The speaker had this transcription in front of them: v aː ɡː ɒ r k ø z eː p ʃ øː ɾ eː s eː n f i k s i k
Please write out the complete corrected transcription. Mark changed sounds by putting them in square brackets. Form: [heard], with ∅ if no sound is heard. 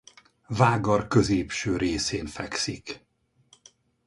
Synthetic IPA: v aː [ɡ] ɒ r k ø z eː p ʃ øː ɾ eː s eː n f [ɛ] k s i k